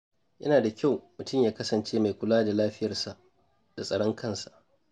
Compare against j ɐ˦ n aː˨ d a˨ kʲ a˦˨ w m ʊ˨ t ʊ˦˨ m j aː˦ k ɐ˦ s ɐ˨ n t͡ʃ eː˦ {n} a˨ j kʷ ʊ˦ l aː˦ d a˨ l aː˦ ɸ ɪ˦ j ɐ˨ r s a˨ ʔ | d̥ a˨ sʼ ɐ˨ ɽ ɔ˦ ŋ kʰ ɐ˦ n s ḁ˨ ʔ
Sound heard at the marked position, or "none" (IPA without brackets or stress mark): m